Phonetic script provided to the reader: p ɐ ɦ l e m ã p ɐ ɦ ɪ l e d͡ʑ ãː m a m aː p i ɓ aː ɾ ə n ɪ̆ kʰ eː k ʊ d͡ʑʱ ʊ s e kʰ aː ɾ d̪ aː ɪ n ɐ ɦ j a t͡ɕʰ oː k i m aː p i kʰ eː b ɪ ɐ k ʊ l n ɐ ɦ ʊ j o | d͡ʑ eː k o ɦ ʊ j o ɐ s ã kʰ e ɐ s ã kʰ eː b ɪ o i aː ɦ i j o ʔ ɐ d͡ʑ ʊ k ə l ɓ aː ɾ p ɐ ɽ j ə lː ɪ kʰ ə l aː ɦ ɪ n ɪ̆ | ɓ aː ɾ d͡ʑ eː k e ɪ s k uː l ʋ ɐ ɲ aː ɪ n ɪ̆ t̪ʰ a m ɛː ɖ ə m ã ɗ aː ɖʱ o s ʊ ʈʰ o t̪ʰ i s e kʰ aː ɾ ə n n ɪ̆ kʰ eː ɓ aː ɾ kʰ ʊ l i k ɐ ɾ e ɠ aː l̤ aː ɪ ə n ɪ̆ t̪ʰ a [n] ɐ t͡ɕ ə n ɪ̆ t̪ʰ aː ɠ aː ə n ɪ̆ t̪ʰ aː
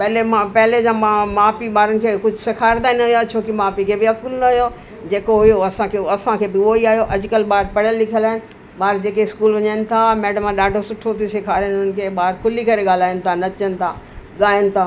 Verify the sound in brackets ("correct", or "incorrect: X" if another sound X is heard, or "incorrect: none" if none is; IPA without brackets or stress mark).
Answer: correct